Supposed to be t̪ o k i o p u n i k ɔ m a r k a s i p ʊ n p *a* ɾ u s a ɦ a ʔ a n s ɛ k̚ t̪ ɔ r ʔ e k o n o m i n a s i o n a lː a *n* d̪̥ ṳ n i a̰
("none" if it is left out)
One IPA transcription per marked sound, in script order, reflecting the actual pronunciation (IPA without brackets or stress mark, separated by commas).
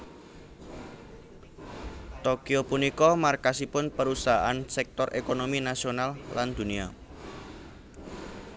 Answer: ə, n